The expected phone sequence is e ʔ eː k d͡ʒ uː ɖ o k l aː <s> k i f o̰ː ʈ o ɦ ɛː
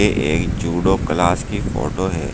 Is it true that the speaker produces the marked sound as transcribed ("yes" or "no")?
yes